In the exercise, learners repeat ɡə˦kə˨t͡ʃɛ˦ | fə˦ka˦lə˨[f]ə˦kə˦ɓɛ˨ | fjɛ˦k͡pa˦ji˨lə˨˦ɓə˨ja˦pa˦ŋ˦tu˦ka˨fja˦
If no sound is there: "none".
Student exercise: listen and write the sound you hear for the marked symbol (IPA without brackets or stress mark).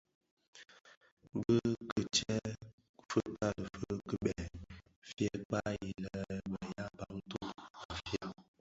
f